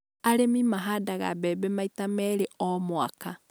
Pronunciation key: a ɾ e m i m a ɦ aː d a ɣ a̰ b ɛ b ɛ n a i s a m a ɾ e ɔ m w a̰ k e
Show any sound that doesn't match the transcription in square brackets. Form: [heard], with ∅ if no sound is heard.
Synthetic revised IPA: a ɾ e m i m a ɦ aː d a ɣ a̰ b ɛ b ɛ [m] a i [t] a m [ɛ] ɾ e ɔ m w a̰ k [a]